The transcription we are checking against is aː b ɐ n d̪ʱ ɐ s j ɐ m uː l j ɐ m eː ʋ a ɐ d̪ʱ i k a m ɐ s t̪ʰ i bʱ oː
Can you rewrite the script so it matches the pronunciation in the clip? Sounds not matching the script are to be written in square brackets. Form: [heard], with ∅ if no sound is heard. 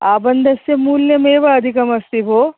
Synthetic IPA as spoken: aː b ɐ n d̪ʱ ɐ s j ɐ m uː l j ɐ m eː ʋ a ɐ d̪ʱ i k [ɐ] m ɐ s [t̪] i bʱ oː